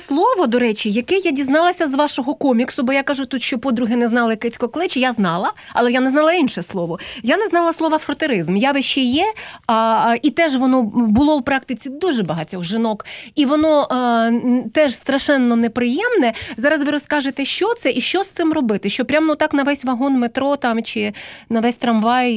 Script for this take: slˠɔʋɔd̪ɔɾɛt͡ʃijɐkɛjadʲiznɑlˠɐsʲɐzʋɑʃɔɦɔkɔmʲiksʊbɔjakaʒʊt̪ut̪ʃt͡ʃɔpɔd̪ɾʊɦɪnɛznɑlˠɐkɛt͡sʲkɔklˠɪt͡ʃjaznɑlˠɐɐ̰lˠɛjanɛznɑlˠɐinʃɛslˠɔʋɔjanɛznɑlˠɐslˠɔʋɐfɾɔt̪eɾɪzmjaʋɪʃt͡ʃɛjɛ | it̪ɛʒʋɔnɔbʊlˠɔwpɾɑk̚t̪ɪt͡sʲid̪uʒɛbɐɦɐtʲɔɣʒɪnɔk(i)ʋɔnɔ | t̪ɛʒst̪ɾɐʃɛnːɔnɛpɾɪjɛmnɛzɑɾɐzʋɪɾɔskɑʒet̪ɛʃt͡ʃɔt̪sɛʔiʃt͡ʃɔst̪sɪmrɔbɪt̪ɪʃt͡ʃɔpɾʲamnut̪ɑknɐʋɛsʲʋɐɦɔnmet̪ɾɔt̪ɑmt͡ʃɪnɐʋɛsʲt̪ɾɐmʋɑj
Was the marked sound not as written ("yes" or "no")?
no